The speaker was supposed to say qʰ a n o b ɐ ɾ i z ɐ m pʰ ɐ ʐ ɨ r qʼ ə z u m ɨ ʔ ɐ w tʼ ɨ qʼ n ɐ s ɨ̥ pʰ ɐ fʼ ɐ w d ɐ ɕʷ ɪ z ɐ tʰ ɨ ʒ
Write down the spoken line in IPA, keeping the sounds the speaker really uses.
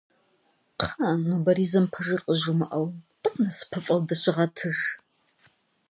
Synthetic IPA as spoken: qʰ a n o b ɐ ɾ i z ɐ m pʰ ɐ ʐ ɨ r qʼ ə ʒ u m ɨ ʔ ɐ w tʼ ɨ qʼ n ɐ s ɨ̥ pʰ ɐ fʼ ɐ w d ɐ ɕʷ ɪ ʁ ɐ tʰ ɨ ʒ

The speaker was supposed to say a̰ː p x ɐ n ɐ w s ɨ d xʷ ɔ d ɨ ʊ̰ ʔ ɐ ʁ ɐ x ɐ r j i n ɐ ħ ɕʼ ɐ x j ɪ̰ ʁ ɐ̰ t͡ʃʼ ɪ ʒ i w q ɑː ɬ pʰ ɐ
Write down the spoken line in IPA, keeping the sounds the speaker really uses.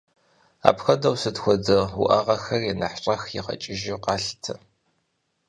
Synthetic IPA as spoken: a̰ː p x ɐ d ɐ w s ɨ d xʷ ɔ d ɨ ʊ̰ ʔ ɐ ʁ ɐ x ɐ r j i n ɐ ħ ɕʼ ɐ x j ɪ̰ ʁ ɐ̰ t͡ʃʼ ɪ ʒ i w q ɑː ɬ tʰ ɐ

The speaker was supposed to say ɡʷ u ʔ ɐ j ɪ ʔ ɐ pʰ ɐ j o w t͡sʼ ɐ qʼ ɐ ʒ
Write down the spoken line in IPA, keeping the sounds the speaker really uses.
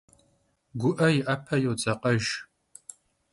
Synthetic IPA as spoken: ɡʷ ʊ ʔ ɐ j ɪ ʔ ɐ pʰ ɐ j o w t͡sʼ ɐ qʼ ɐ ʒ

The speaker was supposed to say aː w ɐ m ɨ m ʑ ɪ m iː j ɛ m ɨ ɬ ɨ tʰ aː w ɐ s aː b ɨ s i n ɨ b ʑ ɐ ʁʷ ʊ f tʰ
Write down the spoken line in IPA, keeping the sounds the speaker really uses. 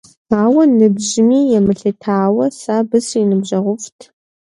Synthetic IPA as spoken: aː w ɐ n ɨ b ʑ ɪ m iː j ɛ m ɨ ɬ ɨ tʰ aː w ɐ s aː b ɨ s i n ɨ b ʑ ɐ ʁʷ ʊ f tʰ

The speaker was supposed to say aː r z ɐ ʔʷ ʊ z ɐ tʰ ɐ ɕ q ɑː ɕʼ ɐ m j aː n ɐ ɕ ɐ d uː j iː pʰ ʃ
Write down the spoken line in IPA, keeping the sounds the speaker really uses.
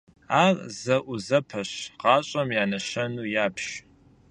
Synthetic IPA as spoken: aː r z ɐ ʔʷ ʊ z ɐ pʰ ɐ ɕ q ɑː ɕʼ ɐ m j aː n ɐ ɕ ɐ n uː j aː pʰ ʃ

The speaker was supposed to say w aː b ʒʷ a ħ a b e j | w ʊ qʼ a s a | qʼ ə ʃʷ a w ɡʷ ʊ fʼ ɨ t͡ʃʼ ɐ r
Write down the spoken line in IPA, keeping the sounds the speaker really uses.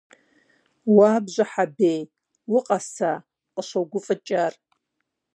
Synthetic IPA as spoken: w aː b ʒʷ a ħ a b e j | w ʊ qʼ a s a | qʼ ə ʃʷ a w ɡʷ ʊ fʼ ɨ t͡ʃʼ a r

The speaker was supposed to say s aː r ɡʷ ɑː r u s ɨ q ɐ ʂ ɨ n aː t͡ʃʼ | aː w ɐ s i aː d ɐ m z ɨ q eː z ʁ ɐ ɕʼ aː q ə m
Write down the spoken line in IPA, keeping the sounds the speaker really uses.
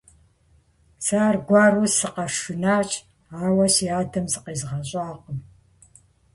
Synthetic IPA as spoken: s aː r ɡʷ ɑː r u s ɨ q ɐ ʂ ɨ n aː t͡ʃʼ | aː w ɐ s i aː d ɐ m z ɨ q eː z ʁ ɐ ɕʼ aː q ə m

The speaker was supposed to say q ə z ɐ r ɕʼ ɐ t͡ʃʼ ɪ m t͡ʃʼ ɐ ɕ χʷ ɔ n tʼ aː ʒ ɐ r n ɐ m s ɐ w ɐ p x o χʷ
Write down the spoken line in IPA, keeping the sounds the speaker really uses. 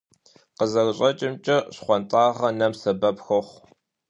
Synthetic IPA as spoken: q ə z ɐ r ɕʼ ɐ t͡ʃʼ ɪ m t͡ʃʼ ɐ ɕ χʷ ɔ n tʼ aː ʁ ɐ n ɐ m s ɐ b ɐ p x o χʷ

